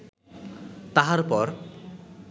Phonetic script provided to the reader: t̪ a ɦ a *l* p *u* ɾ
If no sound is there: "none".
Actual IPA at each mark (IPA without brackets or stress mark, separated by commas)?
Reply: ɾ, ɔ